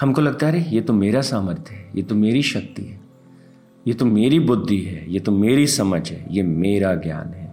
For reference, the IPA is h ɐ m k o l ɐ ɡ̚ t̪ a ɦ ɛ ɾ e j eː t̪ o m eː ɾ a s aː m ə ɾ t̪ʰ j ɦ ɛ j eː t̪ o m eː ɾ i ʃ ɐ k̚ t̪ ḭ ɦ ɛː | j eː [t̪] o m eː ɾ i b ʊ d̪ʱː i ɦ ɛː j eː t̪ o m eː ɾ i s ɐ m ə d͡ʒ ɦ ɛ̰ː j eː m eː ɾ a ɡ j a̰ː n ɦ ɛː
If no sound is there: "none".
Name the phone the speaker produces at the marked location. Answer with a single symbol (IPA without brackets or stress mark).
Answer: t̪